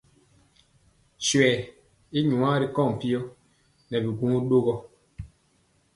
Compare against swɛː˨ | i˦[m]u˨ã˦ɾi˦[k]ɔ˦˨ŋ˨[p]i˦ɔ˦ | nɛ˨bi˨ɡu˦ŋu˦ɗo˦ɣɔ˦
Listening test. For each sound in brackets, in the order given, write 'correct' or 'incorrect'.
incorrect: ɲ, correct, correct

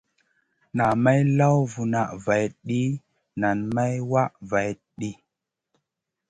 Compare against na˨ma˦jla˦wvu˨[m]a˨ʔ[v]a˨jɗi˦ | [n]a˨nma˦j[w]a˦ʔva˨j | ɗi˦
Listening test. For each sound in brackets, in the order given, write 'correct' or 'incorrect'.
incorrect: n, correct, correct, correct

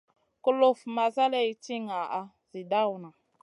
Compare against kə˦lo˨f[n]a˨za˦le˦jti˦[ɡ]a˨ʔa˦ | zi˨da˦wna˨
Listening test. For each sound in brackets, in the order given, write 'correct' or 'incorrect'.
incorrect: m, incorrect: ŋ

